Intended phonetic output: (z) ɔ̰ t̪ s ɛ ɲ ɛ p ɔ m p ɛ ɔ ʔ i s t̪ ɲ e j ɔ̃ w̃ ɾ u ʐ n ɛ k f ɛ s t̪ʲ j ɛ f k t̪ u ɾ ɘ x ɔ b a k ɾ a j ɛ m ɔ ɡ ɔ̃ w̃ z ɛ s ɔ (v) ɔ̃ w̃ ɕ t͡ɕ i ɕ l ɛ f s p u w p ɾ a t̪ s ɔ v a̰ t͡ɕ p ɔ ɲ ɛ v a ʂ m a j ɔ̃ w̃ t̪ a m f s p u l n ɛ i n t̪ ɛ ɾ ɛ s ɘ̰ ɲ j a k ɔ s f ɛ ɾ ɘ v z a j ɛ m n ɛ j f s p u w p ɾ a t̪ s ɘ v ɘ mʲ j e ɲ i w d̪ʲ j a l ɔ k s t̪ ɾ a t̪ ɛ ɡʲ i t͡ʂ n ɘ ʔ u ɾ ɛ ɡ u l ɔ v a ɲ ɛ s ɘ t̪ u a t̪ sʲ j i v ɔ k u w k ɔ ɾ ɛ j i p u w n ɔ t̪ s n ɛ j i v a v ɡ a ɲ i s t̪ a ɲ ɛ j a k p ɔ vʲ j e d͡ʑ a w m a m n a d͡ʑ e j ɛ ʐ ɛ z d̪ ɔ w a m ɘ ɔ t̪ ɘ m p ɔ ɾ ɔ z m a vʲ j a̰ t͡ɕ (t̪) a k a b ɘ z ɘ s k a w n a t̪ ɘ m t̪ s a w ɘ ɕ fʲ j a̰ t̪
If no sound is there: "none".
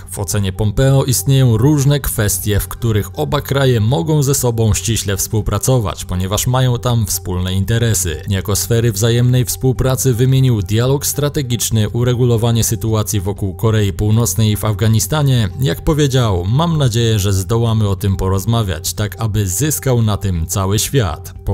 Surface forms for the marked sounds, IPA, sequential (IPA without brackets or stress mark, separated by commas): v, b, t̪